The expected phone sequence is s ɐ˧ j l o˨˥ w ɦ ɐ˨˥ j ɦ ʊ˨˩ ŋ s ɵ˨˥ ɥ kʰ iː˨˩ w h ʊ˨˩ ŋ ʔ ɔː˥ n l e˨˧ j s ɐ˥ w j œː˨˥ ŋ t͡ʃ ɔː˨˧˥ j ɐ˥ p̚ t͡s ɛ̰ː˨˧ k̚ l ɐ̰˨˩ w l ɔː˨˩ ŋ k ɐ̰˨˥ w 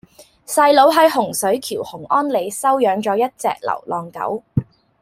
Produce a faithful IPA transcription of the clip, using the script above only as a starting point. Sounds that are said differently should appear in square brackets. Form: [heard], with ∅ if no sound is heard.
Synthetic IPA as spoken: s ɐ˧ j l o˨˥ w ɦ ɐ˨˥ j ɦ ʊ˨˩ ŋ s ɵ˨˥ ɥ kʰ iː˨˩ w h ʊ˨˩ ŋ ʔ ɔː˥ n l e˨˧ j s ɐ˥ w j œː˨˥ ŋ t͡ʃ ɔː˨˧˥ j ɐ˥ [t̚] t͡s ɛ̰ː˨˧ k̚ l ɐ̰˨˩ w l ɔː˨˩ ŋ k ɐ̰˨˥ w